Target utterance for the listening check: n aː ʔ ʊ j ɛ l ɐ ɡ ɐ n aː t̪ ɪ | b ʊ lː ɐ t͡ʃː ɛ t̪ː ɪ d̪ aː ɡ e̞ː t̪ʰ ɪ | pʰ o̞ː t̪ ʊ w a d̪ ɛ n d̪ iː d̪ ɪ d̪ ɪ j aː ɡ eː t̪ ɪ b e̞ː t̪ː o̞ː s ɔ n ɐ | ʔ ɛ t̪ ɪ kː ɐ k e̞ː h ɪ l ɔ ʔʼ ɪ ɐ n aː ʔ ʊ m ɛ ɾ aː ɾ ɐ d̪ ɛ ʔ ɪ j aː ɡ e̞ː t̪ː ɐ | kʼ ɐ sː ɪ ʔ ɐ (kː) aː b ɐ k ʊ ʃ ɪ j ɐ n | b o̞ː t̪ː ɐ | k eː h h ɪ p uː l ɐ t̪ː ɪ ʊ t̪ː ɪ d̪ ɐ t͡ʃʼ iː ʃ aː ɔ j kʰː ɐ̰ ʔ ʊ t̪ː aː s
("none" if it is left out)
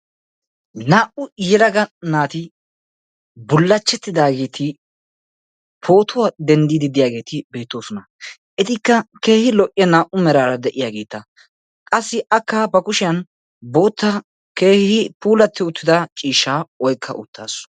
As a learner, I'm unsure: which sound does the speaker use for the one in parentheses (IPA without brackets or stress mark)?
kː